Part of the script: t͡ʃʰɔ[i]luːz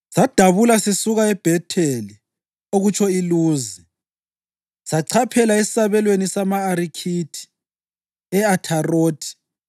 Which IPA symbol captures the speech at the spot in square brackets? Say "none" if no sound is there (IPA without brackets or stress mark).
i